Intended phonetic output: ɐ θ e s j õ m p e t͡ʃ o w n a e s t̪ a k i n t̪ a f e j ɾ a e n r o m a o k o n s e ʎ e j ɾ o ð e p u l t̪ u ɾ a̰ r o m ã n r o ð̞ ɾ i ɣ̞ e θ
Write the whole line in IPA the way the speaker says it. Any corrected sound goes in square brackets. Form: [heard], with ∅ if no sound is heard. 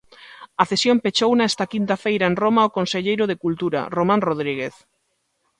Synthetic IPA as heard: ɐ θ e s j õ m p e t͡ʃ o w n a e s t̪ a k i n t̪ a f e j ɾ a e n r o m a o k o n s e ʎ e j ɾ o ð e [k] u l t̪ u ɾ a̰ r o m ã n r o ð̞ ɾ i ɣ̞ e θ